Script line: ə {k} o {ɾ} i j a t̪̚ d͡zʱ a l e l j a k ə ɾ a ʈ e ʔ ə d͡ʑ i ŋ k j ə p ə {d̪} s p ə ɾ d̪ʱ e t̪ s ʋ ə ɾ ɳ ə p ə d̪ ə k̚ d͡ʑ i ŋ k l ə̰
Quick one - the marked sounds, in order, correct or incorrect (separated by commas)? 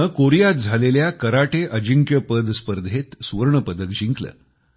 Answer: correct, correct, correct